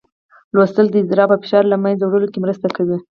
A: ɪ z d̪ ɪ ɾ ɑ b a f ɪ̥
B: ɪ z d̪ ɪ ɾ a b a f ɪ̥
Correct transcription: A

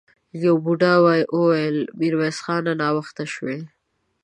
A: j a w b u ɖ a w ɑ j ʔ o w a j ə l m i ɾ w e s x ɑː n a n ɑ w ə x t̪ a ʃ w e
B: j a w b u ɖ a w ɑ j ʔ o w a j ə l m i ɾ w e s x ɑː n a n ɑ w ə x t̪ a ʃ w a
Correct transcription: A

